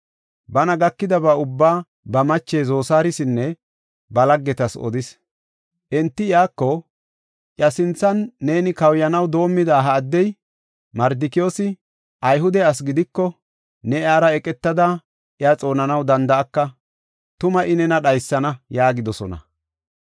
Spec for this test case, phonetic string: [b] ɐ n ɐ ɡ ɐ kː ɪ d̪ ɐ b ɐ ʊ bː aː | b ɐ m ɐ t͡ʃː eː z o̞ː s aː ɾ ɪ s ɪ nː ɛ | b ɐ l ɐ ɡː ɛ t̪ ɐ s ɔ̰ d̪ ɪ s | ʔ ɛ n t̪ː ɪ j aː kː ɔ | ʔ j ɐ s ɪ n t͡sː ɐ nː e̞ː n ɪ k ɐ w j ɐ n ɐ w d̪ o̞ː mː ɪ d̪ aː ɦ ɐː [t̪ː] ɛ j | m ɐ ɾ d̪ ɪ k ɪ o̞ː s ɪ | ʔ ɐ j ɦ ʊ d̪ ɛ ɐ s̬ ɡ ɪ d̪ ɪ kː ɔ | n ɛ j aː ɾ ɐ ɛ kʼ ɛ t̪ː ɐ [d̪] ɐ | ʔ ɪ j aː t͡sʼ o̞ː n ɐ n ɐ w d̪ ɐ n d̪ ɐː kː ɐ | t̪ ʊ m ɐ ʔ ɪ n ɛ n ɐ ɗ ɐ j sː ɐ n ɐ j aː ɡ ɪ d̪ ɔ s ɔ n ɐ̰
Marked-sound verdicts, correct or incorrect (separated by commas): correct, incorrect, correct